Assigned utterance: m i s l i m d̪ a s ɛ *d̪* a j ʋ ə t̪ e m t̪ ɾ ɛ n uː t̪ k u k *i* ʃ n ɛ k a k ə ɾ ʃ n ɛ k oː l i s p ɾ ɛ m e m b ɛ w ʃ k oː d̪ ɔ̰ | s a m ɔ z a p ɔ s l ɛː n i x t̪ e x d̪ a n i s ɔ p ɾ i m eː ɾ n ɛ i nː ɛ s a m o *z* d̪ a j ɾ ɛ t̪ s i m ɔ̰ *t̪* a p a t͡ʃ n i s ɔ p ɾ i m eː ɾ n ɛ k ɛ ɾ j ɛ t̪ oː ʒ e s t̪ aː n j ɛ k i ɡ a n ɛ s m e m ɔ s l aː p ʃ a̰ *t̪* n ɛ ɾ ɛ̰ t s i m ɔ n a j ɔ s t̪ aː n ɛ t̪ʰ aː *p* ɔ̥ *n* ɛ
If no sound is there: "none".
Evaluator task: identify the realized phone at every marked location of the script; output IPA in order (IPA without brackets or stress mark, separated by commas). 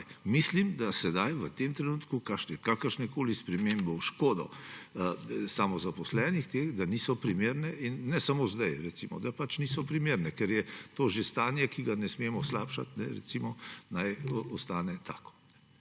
d̪, a, z, d̪, t̪, k, n